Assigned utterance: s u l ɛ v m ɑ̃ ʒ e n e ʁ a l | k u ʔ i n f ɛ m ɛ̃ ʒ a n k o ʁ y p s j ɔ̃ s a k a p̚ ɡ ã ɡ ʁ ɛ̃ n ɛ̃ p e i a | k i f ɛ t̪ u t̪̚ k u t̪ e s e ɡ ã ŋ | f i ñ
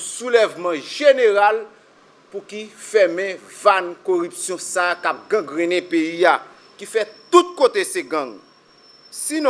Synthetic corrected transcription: s u l ɛ v m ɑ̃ ʒ e n e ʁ a l | p u k i f ɛ m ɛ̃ v a n k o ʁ y p s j ɔ̃ s a k a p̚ ɡ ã ɡ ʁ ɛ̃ n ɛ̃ p e i a | k i f ɛ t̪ u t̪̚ k o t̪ e s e ɡ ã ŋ | s i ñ